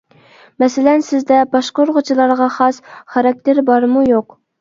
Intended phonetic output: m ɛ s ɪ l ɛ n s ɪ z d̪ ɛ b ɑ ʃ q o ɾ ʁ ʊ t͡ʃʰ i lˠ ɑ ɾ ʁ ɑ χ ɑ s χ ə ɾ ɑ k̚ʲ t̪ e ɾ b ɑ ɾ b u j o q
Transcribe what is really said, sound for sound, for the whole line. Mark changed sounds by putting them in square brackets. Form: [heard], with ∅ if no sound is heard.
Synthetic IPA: m ɛ s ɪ l ɛ n s ɪ z d̪ ɛ b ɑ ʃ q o ɾ ʁ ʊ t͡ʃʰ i lˠ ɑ ɾ ʁ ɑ χ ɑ s χ [ɑ] ɾ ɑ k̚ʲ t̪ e ɾ b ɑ ɾ [m] u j o q